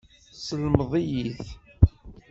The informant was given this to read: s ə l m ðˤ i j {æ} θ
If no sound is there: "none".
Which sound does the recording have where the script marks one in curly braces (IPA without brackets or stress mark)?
i